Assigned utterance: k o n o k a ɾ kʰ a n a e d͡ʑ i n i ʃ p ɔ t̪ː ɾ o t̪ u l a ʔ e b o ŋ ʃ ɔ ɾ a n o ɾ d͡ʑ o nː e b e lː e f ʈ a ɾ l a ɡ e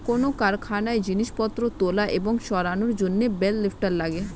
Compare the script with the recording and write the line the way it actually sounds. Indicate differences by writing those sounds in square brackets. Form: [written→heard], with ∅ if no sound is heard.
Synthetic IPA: k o n o k a ɾ kʰ a n a e d͡ʑ i n i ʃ p ɔ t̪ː ɾ o t̪ [u→o] l a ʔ e b o ŋ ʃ ɔ ɾ a n o ɾ d͡ʑ o nː e b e lː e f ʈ a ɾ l a ɡ e